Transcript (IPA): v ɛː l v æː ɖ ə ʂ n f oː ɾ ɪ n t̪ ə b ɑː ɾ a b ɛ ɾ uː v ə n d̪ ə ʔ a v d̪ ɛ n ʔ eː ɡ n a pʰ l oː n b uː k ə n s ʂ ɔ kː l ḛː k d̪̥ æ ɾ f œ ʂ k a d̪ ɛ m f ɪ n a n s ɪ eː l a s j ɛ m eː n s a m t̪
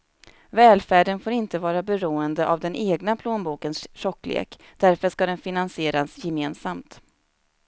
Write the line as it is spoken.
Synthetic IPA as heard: v ɛː l f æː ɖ ə n f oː ɾ ɪ n t̪ ə v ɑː ɾ a b ɛ ɾ uː ə n d̪ ə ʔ a v d̪ ɛ n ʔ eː ɡ n a pʰ l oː n b uː k ə n s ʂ ɔ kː l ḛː k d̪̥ æ ɾ f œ ʂ k a d̪ ɛ n f ɪ n a n s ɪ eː ɾ a s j ɛ m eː n s a m t̪